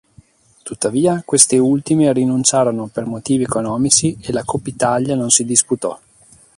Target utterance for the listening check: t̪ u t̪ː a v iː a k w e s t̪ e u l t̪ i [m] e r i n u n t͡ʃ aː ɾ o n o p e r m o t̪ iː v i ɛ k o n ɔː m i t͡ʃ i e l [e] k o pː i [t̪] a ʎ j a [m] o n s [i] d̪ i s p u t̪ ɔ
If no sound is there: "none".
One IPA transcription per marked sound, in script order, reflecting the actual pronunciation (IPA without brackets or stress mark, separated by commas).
m, a, t̪, n, i